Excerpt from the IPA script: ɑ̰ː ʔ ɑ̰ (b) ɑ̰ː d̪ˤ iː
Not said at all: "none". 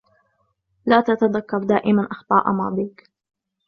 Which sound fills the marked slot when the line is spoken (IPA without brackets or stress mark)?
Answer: m